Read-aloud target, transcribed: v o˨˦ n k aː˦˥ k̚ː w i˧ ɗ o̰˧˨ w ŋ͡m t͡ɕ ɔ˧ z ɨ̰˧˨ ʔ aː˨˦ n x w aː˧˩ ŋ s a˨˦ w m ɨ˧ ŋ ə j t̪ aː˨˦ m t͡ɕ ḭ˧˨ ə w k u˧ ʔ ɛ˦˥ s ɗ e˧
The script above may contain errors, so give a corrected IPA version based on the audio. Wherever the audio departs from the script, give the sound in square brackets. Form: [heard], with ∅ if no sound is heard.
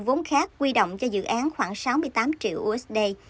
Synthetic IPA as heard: v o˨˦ n [x] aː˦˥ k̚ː w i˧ ɗ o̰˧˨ w ŋ͡m t͡ɕ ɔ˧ z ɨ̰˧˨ ʔ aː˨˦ n x w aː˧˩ ŋ s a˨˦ w m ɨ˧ [∅] ə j t̪ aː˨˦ m t͡ɕ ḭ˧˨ ə w [ʔ] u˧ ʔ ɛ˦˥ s ɗ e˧